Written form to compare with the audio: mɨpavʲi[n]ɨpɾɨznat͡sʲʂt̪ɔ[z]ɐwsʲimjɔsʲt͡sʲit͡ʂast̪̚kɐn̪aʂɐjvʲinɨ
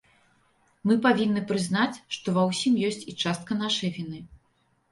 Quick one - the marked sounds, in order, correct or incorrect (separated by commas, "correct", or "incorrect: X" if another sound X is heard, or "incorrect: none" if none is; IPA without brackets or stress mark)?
incorrect: nː, incorrect: v